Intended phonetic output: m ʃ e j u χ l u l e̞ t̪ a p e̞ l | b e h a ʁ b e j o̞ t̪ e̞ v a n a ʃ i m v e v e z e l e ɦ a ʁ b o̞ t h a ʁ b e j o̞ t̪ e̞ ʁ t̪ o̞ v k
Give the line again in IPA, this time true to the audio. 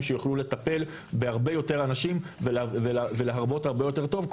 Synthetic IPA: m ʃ e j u χ l u l e̞ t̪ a p e̞ l | b e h a ʁ b e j o̞ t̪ e̞ ʁ a n a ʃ i m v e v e v e l e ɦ a ʁ b o̞ t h a ʁ b e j o̞ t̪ e̞ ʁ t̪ o̞ v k